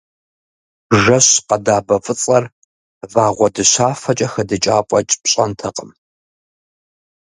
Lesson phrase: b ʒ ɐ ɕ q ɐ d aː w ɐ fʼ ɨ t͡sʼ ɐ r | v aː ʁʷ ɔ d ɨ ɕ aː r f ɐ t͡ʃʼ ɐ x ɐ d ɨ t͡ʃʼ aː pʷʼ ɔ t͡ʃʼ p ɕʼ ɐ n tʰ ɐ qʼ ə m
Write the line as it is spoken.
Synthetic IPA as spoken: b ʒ ɐ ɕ q ɐ d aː b ɐ fʼ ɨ t͡sʼ ɐ r | v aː ʁʷ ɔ d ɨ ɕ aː f ɐ t͡ʃʼ ɐ x ɐ d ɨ t͡ʃʼ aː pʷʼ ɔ t͡ʃʼ p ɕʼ ɐ n tʰ ɐ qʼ ə m